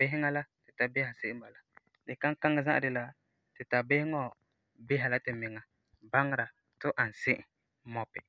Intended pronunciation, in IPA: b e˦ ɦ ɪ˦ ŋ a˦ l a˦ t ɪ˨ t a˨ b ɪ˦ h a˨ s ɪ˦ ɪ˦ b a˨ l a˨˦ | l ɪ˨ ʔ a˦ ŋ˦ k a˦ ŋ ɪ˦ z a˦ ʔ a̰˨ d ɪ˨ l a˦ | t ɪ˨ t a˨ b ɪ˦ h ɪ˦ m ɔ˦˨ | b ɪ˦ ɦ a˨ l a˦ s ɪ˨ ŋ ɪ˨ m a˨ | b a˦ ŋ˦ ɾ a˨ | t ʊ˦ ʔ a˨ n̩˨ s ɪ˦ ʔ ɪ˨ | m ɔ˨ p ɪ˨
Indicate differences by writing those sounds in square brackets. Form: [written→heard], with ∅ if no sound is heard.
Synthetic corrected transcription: b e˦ ɦ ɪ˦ ŋ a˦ l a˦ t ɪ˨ t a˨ b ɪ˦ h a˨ s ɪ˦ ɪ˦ b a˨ l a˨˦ | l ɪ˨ [ʔ→k] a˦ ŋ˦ k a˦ ŋ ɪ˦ z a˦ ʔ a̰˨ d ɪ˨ l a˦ | t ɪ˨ t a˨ b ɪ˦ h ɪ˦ [m→ŋ] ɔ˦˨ | b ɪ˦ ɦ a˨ l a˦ [s→t] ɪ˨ [ŋ→m] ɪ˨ [m→ŋ] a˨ | b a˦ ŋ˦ ɾ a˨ | t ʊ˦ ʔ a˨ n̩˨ s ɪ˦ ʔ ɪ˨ | m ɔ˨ p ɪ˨